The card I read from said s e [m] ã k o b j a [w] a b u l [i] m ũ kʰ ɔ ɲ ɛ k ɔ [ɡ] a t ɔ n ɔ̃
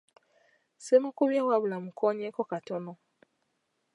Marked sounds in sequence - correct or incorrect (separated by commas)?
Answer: correct, correct, incorrect, incorrect